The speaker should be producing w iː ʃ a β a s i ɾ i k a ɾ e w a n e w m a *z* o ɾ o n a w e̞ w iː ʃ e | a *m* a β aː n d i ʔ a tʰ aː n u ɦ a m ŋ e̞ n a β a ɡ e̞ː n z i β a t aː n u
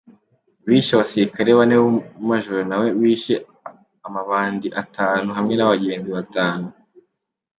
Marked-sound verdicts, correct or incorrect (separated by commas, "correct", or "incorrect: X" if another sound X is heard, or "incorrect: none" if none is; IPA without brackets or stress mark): incorrect: ʒ, correct